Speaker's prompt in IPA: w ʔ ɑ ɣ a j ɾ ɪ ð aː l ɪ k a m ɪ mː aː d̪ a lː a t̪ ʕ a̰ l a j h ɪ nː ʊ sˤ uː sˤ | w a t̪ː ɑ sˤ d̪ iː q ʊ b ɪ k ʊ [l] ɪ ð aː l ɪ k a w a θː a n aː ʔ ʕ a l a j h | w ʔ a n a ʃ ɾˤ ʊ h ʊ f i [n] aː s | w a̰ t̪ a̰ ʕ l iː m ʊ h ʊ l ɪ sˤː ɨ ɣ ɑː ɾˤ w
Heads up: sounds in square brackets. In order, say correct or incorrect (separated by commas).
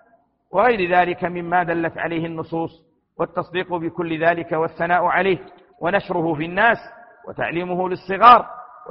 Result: incorrect, incorrect